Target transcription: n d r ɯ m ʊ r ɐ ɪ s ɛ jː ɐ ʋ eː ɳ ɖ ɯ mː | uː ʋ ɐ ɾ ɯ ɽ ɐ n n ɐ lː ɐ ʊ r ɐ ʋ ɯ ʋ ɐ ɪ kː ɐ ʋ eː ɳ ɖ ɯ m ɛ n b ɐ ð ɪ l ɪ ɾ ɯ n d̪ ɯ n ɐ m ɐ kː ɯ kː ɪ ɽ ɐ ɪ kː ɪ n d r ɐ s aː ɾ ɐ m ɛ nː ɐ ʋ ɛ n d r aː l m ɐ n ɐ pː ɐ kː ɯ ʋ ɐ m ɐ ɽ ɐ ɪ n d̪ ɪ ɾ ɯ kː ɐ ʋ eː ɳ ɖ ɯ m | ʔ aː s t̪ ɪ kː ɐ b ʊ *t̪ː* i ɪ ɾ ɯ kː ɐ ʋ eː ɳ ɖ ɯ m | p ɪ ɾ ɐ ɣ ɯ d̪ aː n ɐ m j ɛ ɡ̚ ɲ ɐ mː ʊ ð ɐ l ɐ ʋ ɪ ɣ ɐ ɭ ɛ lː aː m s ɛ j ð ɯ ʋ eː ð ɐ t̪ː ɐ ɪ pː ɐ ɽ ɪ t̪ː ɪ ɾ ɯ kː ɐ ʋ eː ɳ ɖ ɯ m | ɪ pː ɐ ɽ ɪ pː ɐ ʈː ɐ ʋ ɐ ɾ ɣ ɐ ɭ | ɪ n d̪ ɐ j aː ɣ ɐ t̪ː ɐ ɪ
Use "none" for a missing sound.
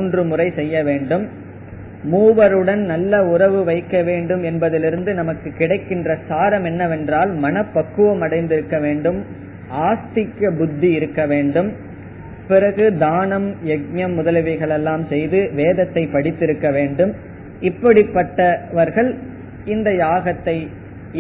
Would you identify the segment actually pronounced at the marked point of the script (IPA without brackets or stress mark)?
d̪ː